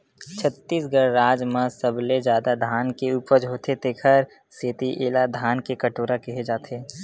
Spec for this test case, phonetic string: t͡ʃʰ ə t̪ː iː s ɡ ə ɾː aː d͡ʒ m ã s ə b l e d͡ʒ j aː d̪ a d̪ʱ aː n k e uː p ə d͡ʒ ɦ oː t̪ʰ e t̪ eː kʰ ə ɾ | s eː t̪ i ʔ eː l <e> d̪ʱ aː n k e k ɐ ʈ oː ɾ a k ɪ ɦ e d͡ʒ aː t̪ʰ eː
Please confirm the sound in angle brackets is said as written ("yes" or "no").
no